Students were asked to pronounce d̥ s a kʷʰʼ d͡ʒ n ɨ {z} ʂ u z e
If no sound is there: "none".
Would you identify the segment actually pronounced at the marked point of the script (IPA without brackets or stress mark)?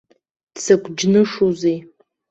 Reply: none